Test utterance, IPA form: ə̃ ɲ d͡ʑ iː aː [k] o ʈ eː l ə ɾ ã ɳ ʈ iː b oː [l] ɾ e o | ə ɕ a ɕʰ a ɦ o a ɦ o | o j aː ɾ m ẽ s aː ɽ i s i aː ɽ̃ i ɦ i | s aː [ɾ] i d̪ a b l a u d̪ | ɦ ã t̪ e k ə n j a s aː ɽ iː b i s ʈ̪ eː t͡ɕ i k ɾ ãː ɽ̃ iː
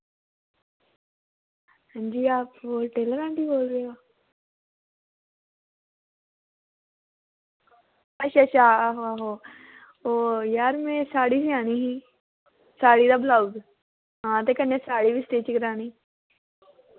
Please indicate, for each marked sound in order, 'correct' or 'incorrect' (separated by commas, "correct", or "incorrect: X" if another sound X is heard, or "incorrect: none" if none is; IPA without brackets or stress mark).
incorrect: p, correct, incorrect: ɽ